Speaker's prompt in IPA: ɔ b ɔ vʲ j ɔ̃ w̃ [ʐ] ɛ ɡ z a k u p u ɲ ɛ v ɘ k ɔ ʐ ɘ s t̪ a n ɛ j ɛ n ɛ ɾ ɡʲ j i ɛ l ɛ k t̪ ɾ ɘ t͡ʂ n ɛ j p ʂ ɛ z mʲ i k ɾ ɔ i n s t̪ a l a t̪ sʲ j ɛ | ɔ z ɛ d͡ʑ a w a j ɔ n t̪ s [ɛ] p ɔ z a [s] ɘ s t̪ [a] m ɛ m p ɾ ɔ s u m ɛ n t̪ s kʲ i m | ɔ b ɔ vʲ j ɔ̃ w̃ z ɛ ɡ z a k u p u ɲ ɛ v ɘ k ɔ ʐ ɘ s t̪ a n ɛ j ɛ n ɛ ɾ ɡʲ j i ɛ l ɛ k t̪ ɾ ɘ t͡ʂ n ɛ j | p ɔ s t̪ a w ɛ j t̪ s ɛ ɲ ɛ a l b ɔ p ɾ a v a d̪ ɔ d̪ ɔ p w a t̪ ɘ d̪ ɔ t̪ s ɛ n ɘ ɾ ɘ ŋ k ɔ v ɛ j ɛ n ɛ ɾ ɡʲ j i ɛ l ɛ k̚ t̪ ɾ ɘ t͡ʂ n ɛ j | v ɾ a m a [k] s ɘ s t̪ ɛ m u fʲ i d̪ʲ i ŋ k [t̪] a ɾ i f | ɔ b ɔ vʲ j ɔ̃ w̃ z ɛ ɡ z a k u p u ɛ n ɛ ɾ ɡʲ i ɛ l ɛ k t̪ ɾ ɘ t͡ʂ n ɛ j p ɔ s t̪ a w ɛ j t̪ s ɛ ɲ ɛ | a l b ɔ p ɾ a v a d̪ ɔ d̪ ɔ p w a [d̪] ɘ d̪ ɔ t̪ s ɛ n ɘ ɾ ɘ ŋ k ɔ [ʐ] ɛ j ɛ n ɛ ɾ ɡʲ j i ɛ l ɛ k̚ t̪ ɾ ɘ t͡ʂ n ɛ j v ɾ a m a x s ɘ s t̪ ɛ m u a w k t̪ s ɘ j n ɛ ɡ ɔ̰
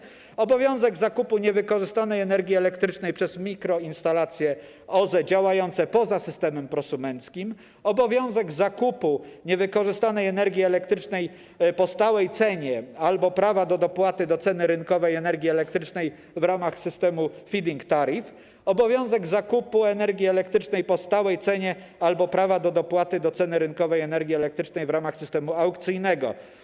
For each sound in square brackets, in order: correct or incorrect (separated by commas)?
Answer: incorrect, correct, correct, incorrect, incorrect, correct, incorrect, incorrect